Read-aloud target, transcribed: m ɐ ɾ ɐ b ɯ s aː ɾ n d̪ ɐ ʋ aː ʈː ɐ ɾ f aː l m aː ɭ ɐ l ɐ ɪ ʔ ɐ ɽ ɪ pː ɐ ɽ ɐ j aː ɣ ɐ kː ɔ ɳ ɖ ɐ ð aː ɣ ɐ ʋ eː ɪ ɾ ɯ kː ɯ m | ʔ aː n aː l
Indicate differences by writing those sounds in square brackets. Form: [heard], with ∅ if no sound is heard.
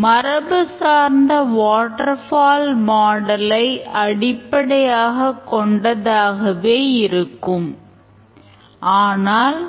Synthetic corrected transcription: m ɐ ɾ ɐ b ɯ s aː ɾ n d̪ ɐ ʋ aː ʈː ɐ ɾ f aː l m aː [ɽ] ɐ l ɐ ɪ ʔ ɐ ɽ ɪ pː ɐ ɽ ɐ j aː ɣ ɐ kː ɔ ɳ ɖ ɐ ð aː ɣ ɐ ʋ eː ɪ ɾ ɯ kː ɯ m | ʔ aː n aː l

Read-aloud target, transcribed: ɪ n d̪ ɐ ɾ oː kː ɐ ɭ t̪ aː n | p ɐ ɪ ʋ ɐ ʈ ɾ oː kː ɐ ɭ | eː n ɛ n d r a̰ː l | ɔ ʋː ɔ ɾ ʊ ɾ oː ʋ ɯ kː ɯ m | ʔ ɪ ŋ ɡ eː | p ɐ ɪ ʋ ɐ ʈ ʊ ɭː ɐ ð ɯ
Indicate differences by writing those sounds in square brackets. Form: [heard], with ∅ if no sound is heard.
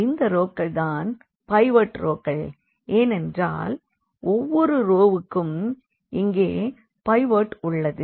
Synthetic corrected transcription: ɪ n d̪ ɐ ɾ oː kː ɐ ɭ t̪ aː n | p ɐ ɪ ʋ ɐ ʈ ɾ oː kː ɐ ɭ | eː n ɛ n d r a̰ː l | ɔ ʋː ɔ ɾ [ɯ] ɾ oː ʋ ɯ kː ɯ m | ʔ ɪ ŋ ɡ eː | p ɐ ɪ ʋ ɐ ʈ ʊ ɭː ɐ ð ɯ

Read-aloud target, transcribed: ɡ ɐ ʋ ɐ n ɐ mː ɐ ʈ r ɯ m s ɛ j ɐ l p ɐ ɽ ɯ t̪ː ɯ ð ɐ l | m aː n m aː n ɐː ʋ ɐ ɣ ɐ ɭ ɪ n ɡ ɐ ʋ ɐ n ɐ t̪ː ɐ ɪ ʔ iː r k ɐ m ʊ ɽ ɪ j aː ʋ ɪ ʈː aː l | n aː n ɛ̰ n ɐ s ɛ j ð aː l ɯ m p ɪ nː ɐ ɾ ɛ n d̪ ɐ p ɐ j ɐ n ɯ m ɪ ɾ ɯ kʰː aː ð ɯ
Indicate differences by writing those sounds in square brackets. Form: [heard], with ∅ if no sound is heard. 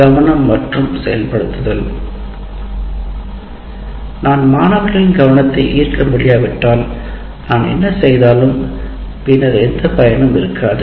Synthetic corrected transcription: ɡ ɐ ʋ ɐ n ɐ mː ɐ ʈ r ɯ m s ɛ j ɐ l p ɐ ɽ ɯ t̪ː ɯ ð ɐ l | [n] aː n m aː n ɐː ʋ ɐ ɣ ɐ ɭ ɪ n ɡ ɐ ʋ ɐ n ɐ t̪ː ɐ ɪ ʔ iː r k ɐ m ʊ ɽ ɪ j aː ʋ ɪ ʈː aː l | n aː n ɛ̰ [nː] ɐ s ɛ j ð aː l ɯ m p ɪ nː ɐ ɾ ɛ n d̪ ɐ p ɐ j ɐ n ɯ m ɪ ɾ ɯ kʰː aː ð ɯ

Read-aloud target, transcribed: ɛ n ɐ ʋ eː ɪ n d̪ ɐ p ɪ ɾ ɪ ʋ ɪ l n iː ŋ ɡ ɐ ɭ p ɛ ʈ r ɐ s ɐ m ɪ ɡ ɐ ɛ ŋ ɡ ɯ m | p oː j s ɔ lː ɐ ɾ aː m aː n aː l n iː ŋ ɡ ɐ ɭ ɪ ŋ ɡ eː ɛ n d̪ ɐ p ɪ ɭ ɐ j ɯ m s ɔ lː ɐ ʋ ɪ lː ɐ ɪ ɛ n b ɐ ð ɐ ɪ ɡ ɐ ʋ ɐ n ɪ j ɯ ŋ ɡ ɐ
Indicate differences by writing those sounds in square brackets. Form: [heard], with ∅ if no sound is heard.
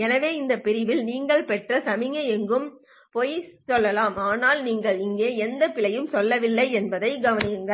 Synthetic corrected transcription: ɛ n ɐ ʋ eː ɪ n d̪ ɐ p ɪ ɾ ɪ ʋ ɪ l n iː ŋ ɡ ɐ ɭ p ɛ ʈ r ɐ s ɐ m ɪ [ŋ] ɐ ɛ ŋ ɡ ɯ m | p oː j s ɔ lː ɐ [l] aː m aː n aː l n iː ŋ ɡ ɐ ɭ ɪ ŋ ɡ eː ɛ n d̪ ɐ p ɪ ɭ ɐ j ɯ m s ɔ lː ɐ ʋ ɪ lː ɐ ɪ ɛ n b ɐ ð ɐ ɪ ɡ ɐ ʋ ɐ n ɪ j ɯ ŋ ɡ ɐ

